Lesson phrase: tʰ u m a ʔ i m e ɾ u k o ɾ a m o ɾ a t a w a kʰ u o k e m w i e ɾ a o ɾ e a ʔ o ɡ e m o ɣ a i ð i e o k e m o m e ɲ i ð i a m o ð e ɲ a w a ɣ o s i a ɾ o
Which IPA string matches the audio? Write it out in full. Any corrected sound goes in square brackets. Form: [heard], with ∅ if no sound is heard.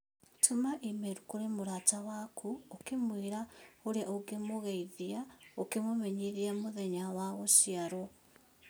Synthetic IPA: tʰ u m a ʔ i m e ɾ u k o ɾ [e] m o ɾ a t a w a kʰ u o k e m w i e ɾ a o ɾ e a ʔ o ɡ e m o ɣ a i ð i [a] o k e m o m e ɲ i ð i a m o ð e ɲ a w a ɣ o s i a ɾ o